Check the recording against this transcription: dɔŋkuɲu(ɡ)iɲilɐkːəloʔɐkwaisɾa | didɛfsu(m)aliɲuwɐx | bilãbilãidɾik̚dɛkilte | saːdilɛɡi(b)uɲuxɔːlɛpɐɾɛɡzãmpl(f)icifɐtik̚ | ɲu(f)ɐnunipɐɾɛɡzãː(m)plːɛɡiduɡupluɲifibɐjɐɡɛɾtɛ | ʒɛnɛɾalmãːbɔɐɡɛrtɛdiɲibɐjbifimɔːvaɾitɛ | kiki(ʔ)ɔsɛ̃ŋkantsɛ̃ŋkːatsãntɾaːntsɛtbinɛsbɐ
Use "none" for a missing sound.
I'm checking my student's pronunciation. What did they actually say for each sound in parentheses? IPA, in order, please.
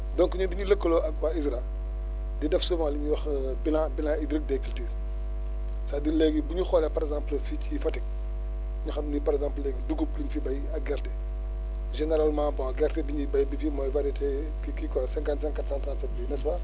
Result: d, m, b, f, x, m, k

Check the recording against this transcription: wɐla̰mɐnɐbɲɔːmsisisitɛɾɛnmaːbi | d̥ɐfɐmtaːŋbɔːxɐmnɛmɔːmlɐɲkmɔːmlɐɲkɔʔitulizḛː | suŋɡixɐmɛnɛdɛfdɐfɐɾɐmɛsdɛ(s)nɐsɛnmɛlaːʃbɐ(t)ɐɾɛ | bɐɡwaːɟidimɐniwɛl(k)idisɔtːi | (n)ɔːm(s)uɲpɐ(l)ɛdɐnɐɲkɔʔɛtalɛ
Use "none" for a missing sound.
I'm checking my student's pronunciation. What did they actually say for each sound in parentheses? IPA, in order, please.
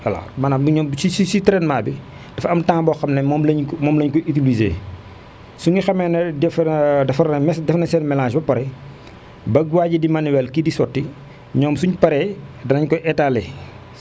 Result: f, p, k, ɲ, s, ɾ

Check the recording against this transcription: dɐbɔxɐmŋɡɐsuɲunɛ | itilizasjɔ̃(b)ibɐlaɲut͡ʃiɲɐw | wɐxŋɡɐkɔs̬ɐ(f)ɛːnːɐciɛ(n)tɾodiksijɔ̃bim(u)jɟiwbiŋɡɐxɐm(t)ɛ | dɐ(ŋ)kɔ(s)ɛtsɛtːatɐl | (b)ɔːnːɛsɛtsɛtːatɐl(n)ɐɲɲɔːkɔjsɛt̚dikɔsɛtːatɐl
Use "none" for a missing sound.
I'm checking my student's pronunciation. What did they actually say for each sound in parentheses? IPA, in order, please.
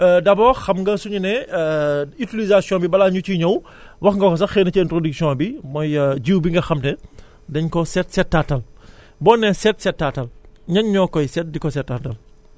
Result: b, x, n, ɔ, t, ɲ, s, b, ɲ

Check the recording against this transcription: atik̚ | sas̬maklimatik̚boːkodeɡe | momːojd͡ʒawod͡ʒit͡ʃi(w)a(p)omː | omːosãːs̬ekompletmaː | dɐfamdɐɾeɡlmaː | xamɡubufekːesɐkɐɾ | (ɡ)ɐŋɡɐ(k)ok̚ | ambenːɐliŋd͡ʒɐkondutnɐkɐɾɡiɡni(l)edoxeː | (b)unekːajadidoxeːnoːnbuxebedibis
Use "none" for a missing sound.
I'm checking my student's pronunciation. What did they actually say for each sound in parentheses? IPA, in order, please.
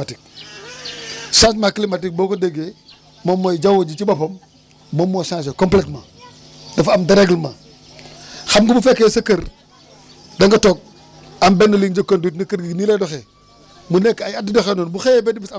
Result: b, p, d, t, l, m

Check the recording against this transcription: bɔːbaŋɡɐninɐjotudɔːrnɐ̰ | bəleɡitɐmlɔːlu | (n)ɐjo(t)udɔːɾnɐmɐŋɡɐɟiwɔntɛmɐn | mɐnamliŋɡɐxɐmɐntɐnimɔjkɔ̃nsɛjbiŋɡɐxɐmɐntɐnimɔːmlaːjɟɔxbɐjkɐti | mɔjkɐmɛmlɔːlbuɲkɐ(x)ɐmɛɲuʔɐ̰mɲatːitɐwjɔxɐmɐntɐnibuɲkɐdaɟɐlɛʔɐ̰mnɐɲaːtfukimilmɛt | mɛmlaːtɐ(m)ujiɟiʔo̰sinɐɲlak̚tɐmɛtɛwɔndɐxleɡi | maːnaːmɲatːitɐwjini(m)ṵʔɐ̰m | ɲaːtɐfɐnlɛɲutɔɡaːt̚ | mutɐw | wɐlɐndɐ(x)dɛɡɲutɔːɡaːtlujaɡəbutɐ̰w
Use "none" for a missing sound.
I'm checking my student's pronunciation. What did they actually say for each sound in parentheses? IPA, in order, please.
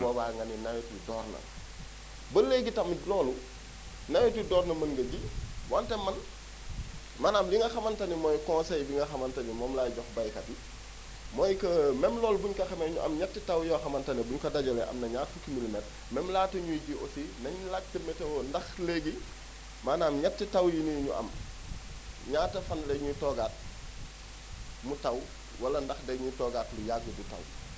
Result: n, t, x, ɲ, ɲ, x

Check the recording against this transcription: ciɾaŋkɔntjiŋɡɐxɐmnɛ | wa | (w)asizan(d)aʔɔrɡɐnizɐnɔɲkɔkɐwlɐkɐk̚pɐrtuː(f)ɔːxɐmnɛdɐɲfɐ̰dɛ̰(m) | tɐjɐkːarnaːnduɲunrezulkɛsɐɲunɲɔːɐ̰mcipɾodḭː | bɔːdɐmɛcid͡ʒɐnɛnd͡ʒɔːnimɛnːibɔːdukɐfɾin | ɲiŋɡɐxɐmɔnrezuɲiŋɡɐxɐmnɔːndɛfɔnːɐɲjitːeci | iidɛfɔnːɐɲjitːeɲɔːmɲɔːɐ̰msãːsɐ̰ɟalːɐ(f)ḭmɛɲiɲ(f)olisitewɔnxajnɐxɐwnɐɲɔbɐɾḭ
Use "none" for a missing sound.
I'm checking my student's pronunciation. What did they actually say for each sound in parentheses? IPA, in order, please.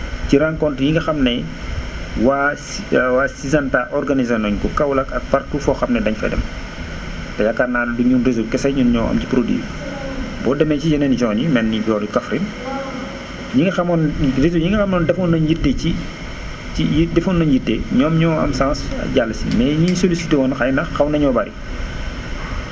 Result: w, t, f, m, s, s

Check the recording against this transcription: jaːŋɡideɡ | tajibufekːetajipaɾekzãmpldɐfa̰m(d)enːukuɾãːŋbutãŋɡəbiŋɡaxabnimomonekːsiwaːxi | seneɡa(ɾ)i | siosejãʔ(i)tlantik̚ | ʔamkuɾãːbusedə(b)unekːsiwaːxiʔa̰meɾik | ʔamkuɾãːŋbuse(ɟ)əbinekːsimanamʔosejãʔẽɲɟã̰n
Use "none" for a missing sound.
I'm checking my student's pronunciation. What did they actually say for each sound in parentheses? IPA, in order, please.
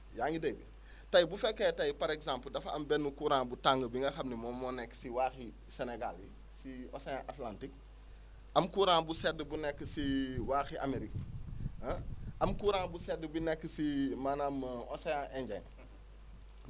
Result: b, l, a, b, d

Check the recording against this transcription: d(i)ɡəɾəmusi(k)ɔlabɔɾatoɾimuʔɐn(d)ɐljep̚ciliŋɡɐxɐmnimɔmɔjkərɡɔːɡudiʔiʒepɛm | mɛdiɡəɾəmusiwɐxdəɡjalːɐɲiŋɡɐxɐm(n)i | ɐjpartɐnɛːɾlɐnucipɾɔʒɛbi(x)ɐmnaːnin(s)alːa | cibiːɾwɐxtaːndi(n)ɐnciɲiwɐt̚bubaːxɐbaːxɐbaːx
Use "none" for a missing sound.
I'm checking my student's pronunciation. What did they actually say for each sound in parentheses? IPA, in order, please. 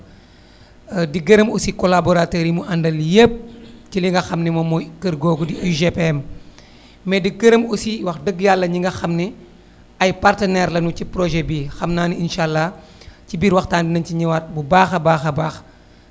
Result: i, k, d, n, x, ʃ, n

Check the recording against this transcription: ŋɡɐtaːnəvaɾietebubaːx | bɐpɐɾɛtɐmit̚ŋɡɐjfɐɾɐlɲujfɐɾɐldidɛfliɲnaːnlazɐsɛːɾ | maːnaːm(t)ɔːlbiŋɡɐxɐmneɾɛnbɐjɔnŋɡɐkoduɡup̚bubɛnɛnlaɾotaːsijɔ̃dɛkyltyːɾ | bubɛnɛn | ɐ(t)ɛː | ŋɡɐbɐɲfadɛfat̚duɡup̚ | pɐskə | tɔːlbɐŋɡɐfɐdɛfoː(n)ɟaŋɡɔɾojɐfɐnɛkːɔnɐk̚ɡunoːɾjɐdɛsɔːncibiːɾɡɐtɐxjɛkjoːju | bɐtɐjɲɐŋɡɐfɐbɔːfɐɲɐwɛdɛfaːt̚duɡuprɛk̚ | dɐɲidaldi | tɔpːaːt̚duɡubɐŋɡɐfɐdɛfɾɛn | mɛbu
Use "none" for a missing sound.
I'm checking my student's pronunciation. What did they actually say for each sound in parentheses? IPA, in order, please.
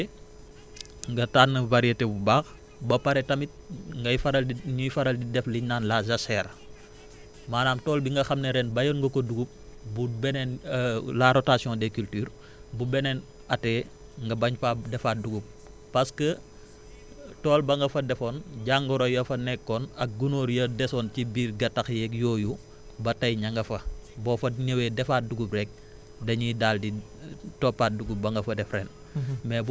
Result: t, t, n

